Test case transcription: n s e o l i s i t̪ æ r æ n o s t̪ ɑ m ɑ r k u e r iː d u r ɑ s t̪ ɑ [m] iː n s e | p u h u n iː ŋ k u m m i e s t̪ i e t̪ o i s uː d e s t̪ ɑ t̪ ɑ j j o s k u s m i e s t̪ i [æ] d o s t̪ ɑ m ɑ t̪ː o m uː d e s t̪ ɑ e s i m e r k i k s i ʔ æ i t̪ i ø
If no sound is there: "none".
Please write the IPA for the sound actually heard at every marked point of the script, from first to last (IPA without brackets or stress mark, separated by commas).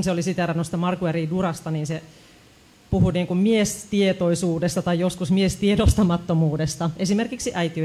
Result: n, e